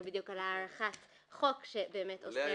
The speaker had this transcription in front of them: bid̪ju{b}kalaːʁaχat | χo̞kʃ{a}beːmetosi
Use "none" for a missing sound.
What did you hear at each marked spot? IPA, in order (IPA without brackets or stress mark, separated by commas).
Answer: none, e